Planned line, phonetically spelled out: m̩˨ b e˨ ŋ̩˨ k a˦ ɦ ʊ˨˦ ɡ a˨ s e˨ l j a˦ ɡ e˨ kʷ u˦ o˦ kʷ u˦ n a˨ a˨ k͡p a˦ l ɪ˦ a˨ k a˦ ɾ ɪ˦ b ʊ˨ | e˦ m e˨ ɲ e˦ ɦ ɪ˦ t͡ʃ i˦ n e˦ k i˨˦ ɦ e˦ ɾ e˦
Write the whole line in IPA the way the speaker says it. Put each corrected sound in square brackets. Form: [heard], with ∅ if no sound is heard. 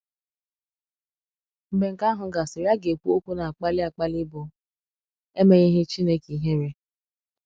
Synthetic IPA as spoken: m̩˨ b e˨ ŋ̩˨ k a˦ ɦ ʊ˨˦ ɡ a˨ s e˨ [ɾ] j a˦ ɡ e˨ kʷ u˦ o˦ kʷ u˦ n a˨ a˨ k͡p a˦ l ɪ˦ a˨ [k͡p] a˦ [l] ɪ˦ b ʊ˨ | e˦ m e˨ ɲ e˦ ɦ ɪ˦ t͡ʃ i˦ n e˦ k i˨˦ ɦ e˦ ɾ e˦